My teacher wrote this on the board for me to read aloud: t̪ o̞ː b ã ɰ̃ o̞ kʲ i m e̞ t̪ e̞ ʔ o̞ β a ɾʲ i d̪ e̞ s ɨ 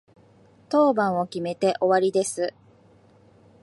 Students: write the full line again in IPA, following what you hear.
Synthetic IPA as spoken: t̪ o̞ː b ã ɰ̃ o̞ kʲ i m e̞ t̪ e̞ ʔ o̞ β a ɾʲ i d̪ e̞ s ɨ